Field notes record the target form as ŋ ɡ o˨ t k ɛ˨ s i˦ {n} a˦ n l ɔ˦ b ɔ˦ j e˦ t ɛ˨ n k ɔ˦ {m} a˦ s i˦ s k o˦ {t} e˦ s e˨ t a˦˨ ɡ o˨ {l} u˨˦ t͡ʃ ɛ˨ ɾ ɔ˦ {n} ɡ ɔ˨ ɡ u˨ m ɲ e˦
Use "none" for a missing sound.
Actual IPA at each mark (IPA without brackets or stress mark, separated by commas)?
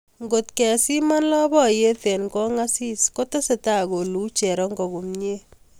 m, ŋ, t, l, ŋ